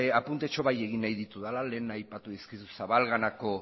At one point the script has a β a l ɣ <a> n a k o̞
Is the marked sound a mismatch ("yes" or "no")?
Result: no